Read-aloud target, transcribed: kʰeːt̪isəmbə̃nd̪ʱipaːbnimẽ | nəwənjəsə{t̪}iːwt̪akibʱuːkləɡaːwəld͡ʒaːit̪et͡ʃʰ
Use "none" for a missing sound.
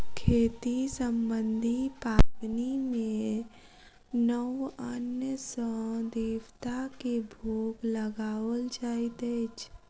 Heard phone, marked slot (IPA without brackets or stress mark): d̪